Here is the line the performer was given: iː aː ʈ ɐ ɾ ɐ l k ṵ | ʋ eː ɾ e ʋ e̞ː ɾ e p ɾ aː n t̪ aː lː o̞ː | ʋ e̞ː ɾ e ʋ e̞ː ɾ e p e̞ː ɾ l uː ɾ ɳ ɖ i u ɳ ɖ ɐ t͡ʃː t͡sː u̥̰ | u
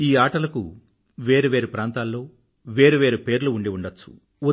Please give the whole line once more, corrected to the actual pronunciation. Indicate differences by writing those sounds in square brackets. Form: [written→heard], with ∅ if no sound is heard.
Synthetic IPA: iː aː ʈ ɐ [ɾ→l] ɐ [l→∅] k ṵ | ʋ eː ɾ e ʋ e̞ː ɾ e p ɾ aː n t̪ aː lː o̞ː | ʋ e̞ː ɾ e ʋ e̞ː ɾ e p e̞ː ɾ l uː [ɾ→∅] ɳ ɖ i u ɳ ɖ ɐ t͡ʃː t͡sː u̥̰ | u